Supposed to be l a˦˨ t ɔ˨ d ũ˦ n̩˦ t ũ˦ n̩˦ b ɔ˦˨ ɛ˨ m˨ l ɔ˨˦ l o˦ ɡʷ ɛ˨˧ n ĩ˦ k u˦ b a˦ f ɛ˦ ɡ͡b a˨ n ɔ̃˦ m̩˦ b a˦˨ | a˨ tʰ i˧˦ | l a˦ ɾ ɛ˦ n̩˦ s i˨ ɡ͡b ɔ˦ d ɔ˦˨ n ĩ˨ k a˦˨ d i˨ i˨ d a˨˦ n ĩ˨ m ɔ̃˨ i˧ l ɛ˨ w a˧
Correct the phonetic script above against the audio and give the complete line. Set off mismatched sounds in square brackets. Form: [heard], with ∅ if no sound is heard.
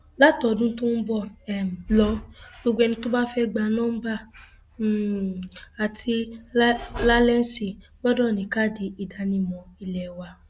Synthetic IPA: l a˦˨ t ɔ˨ d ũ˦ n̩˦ t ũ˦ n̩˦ b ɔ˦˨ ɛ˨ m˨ l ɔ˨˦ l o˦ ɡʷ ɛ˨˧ n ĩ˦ [t] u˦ b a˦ f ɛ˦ ɡ͡b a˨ n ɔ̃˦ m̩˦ b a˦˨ | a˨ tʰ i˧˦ | l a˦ [l] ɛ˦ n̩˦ s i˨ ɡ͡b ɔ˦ d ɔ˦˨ n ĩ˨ k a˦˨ d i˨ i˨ d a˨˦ n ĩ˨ m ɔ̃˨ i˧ l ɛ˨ w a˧